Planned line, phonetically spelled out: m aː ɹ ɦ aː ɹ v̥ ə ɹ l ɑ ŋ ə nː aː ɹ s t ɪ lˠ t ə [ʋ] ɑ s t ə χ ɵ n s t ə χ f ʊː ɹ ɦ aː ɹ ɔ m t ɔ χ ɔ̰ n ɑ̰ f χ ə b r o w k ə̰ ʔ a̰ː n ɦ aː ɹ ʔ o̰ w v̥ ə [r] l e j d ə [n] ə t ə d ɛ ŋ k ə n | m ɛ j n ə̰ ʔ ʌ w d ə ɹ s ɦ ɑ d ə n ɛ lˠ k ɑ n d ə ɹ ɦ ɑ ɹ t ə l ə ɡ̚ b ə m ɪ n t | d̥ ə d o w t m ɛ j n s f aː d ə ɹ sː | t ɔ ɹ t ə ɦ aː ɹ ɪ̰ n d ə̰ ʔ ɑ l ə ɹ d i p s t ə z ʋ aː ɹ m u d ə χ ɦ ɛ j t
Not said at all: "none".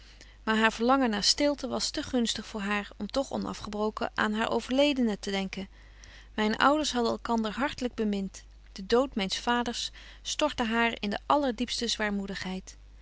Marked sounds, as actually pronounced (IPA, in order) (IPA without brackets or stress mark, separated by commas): ʋ, ɹ, n